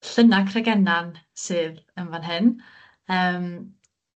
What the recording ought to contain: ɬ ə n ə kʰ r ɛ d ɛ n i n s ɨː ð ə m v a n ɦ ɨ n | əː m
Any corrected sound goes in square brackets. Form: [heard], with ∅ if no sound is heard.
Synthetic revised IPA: ɬ ə n [a] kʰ r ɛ [ɡ] ɛ n [a] n s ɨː ð ə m v a n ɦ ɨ n | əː m